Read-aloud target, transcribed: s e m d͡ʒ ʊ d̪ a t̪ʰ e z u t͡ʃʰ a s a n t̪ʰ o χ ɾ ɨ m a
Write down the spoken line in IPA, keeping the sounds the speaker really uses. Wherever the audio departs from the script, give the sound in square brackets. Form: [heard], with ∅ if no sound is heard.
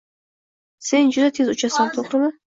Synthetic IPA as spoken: s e [n] d͡ʒ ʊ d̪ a t̪ʰ e z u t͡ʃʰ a s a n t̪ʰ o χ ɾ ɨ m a

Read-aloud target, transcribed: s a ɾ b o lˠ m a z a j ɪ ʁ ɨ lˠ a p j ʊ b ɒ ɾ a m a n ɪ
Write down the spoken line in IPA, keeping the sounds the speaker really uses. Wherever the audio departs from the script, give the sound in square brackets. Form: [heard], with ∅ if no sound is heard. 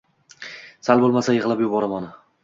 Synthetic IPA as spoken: s a [l] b o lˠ m a [s] a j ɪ ʁ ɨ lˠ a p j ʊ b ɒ ɾ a m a n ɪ

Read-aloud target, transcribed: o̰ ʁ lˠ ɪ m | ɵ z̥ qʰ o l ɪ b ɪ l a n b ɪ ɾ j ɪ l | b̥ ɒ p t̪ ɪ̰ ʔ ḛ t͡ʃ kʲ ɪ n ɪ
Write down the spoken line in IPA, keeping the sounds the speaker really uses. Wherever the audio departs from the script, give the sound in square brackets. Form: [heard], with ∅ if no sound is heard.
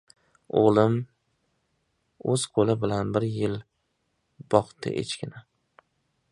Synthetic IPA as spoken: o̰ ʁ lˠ ɪ m | ɵ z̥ qʰ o l ɪ b ɪ l a n b ɪ ɾ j ɪ l | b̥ ɒ [q] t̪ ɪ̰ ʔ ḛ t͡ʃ kʲ ɪ n ɪ

